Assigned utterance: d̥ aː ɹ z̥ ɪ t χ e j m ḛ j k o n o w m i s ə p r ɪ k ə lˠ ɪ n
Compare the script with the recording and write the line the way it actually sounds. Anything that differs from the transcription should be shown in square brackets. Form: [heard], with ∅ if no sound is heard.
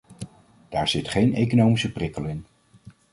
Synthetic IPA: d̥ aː ɹ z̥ ɪ t χ e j [n] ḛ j k o n o w m i s ə p r ɪ k ə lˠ ɪ n